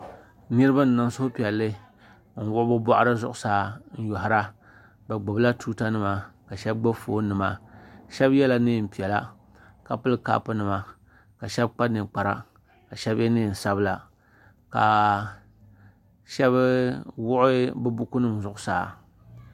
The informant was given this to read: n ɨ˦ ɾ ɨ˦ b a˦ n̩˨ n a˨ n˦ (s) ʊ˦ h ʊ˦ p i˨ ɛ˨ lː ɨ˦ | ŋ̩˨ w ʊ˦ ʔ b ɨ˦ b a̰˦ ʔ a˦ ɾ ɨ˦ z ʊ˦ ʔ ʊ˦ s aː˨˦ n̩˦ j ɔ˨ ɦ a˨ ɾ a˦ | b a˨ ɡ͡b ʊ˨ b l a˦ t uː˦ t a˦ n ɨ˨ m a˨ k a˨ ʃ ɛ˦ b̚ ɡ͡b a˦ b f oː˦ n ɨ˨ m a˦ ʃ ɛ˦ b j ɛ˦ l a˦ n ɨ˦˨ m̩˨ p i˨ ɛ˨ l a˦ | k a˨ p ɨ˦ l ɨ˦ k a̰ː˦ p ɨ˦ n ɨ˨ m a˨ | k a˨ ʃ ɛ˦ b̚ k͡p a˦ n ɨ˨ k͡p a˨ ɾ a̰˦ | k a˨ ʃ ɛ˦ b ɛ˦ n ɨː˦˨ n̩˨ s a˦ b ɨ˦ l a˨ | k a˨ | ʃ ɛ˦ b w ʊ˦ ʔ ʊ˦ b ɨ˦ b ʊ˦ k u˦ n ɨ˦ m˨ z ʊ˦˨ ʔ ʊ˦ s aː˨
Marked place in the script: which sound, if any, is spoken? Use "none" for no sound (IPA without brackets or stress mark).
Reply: s